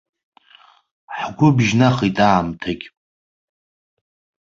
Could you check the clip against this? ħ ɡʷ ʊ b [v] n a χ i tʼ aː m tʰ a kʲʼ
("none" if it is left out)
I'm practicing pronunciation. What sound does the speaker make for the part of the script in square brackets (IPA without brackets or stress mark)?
ʒ